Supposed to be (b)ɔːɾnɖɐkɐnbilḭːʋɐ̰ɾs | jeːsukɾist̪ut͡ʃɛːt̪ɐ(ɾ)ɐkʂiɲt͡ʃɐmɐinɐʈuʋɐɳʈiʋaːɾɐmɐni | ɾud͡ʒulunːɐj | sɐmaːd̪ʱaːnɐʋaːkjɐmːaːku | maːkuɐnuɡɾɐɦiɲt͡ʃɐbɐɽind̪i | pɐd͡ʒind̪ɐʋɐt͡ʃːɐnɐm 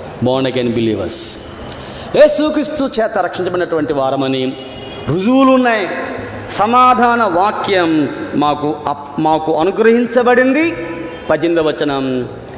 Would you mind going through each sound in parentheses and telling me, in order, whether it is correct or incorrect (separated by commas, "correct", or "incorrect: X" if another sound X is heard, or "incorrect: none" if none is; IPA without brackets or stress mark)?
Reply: correct, correct